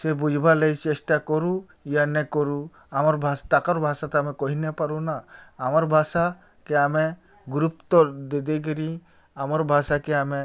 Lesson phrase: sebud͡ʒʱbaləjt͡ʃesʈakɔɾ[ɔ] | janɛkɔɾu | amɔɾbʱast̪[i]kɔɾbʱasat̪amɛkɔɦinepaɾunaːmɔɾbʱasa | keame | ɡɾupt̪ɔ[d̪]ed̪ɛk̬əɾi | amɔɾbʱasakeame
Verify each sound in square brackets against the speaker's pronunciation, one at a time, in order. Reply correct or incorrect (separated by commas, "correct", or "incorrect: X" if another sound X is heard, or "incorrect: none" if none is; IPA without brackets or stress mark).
incorrect: u, incorrect: a, correct